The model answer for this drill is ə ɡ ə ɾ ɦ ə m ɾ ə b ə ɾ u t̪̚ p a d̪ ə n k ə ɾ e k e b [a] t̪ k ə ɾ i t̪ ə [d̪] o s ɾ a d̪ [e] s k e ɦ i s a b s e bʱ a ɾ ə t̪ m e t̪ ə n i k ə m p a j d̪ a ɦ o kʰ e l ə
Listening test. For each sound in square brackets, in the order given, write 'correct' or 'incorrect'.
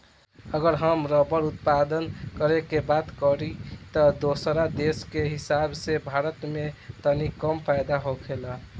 correct, correct, correct

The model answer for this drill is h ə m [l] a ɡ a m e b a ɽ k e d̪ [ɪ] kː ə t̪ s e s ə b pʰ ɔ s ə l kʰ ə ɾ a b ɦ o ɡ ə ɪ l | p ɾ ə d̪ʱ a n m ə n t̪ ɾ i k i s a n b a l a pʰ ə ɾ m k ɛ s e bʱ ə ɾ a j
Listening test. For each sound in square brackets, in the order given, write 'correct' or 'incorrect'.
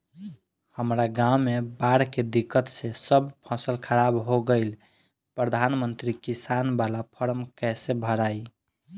incorrect: ɾ, incorrect: i

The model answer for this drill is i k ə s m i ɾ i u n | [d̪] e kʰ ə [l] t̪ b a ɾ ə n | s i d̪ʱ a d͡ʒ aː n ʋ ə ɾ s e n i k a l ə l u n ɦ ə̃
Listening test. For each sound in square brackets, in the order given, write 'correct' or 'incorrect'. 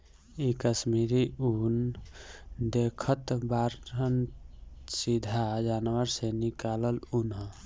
correct, incorrect: none

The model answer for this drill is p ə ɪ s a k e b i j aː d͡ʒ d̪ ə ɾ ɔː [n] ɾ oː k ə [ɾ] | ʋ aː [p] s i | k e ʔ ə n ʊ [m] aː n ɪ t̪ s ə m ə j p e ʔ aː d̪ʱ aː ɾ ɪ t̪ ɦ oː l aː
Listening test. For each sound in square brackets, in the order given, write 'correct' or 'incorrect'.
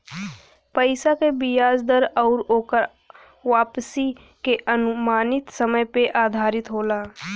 incorrect: none, correct, correct, correct

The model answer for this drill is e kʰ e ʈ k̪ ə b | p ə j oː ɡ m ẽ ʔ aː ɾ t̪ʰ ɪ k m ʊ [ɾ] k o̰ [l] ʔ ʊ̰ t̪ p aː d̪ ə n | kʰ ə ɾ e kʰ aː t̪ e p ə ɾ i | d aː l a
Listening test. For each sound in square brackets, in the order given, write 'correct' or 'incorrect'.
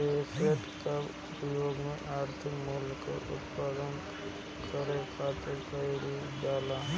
incorrect: l, incorrect: none

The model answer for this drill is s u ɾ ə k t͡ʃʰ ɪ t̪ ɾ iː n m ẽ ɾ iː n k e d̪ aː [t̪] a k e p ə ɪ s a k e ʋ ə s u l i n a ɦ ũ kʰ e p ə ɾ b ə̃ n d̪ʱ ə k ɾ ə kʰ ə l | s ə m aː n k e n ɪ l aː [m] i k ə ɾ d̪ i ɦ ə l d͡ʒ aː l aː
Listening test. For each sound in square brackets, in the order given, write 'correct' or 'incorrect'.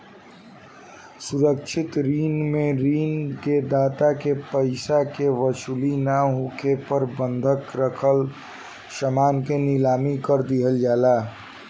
correct, correct

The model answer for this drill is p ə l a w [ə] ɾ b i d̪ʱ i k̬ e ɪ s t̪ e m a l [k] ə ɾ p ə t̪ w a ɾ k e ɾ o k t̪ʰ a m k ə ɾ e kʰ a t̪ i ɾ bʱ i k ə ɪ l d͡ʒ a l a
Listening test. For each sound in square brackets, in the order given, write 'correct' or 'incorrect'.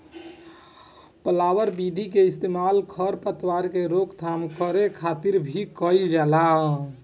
correct, incorrect: kʰ

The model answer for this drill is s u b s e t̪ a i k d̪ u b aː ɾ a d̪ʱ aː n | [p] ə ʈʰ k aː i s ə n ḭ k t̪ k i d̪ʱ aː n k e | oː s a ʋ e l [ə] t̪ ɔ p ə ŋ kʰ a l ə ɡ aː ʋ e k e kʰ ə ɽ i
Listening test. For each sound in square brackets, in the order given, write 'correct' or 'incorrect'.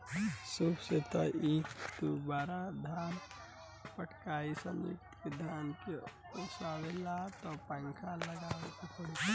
correct, incorrect: a

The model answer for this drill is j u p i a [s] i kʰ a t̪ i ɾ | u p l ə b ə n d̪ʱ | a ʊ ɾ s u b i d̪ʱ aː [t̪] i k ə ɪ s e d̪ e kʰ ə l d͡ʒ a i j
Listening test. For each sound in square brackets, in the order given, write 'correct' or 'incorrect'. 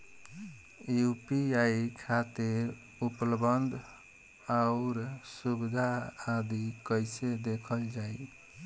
incorrect: none, incorrect: d̪

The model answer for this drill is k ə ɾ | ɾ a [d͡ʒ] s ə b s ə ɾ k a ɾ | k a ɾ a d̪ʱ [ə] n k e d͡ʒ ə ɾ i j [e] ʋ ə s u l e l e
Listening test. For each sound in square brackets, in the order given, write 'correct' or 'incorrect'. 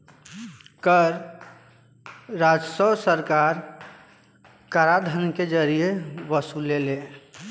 correct, correct, correct

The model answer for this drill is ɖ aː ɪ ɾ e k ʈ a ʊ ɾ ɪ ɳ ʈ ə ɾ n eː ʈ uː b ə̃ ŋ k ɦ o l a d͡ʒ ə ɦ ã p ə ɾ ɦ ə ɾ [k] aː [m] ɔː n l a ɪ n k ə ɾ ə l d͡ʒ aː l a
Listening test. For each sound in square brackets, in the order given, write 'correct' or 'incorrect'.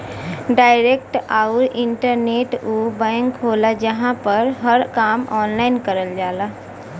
correct, correct

